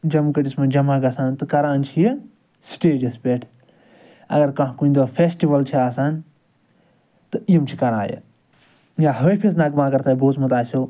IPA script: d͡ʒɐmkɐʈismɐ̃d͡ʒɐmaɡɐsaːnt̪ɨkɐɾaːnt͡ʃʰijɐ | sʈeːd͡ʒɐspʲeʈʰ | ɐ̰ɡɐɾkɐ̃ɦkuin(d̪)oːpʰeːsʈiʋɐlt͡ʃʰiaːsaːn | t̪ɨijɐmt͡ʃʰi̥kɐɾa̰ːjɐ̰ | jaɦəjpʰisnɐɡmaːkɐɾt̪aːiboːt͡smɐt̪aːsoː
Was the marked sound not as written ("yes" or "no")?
no